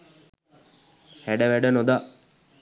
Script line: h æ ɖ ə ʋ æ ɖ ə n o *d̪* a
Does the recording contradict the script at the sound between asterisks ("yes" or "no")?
no